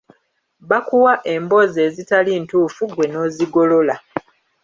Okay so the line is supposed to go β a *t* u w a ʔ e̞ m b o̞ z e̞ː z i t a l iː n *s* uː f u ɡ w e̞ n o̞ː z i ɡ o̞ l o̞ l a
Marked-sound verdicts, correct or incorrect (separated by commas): incorrect, incorrect